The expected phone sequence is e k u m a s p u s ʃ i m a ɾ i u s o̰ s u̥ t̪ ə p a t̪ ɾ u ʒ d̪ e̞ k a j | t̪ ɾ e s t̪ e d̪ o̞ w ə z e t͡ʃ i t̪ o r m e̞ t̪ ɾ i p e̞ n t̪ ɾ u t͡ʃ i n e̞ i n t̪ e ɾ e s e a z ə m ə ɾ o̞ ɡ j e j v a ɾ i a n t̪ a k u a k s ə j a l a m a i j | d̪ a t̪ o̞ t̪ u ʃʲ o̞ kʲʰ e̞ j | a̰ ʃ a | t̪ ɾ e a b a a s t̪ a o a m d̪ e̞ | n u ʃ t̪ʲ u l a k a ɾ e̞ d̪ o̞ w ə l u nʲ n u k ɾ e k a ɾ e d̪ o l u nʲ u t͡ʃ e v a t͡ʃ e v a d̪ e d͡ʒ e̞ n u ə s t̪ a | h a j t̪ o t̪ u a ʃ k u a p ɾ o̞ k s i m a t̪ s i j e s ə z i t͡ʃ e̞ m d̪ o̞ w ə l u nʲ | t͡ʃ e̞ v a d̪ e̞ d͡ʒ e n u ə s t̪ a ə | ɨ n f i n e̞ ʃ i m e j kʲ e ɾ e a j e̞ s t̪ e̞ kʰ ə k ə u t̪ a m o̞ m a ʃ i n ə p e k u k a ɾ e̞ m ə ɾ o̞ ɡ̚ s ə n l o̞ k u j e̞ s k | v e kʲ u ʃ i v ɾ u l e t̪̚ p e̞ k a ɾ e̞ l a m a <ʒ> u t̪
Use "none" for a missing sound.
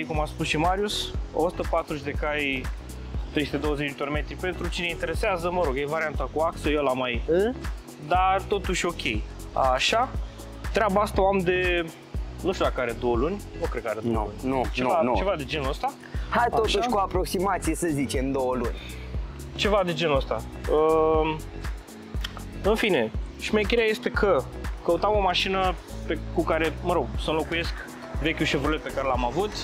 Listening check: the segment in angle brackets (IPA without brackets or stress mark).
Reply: v